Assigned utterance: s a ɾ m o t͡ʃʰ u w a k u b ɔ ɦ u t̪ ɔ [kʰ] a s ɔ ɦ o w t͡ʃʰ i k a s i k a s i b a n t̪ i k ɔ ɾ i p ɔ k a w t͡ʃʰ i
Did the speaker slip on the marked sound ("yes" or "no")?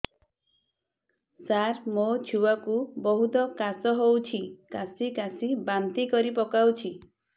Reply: yes